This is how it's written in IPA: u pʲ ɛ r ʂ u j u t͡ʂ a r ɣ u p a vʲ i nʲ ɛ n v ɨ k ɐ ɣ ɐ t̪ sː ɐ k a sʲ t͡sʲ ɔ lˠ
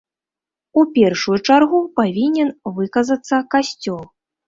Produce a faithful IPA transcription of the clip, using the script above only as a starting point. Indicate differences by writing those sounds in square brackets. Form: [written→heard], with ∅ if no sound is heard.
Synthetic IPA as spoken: u pʲ ɛ r ʂ u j u t͡ʂ a r ɣ u p a vʲ i nʲ ɛ n v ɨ k ɐ [ɣ→z] ɐ t̪ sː ɐ k a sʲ t͡sʲ ɔ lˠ